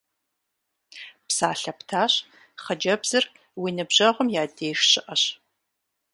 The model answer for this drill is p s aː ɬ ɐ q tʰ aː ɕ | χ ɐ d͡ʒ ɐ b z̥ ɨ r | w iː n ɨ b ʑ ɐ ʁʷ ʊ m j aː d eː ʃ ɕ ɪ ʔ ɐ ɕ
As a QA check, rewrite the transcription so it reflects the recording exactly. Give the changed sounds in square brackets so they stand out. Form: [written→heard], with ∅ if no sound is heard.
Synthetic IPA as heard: p s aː ɬ ɐ [q→p] tʰ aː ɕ | χ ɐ d͡ʒ ɐ b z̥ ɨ r | w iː n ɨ b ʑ ɐ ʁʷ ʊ m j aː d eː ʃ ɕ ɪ ʔ ɐ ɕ